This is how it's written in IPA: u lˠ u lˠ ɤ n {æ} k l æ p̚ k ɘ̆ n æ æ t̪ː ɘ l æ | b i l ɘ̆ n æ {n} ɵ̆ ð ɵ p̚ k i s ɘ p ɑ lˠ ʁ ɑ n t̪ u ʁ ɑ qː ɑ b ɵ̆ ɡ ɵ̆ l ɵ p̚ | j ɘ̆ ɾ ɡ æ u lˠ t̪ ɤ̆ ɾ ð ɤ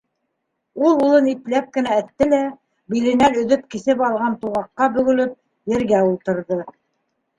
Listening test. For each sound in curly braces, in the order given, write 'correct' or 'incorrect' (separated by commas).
incorrect, correct